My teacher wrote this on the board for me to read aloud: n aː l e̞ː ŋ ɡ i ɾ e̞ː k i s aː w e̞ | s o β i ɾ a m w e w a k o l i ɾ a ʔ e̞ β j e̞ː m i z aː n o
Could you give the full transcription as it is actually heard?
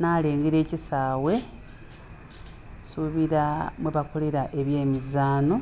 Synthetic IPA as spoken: n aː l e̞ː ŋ ɡ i ɾ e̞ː c i s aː w e̞ | s u β i ɾ a m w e β a k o l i ɾ a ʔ e̞ β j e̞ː m i z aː n o